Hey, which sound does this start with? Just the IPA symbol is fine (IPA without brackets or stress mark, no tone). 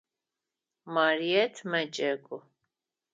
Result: m